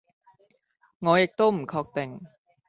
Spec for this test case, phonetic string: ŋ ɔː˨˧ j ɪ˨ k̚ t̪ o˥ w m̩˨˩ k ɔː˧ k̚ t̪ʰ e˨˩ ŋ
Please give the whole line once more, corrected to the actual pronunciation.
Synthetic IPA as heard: ŋ ɔː˨˧ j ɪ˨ k̚ t̪ o˥ w m̩˨˩ kʰ ɔː˧ k̚ t̪ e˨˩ ŋ

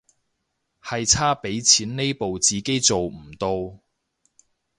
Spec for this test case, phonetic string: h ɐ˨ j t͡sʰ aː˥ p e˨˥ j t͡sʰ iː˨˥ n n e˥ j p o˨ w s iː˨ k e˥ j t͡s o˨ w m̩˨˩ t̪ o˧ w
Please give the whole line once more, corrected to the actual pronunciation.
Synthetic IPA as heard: h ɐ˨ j t͡sʰ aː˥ p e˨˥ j t͡sʰ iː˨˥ n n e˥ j p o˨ w t͡s iː˨ k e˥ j t͡s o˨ w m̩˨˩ t̪ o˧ w

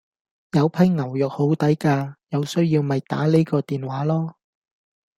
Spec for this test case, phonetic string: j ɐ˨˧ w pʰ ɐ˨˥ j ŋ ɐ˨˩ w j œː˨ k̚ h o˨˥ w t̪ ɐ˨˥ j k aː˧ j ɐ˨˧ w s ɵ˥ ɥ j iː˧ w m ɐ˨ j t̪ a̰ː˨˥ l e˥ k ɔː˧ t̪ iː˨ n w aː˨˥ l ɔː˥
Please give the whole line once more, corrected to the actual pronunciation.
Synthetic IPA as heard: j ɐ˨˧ w pʰ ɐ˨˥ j ŋ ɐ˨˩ w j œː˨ k̚ h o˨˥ w t̪ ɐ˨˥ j k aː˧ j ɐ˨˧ w s ɵ˥ ɥ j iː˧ w m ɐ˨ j t̪ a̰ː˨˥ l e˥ k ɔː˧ t̪ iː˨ n w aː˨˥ l ɔː˥

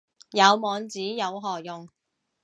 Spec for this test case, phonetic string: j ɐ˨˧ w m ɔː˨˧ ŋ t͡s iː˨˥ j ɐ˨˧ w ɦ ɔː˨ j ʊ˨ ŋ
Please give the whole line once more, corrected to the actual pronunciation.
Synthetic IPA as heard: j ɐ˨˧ w m ɔː˨˧ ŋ t͡s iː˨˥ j ɐ˨˧ w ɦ ɔː˨ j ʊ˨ ŋ

